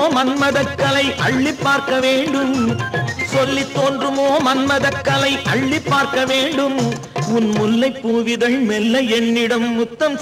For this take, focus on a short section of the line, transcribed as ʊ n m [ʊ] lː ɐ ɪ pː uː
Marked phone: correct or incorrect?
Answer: correct